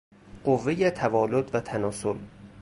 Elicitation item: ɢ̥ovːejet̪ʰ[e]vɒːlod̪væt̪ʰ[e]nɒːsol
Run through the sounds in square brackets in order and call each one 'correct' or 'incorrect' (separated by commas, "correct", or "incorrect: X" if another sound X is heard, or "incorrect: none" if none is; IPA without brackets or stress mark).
incorrect: æ, incorrect: æ